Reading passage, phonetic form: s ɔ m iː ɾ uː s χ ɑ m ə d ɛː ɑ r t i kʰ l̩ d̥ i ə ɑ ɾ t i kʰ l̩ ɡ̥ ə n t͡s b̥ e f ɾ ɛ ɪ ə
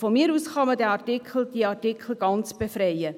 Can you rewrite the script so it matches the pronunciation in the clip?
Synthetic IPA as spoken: f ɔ m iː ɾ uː s χ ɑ m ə d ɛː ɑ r t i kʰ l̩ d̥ i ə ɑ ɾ t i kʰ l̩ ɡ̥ ɑ n t͡s b̥ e f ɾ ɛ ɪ ə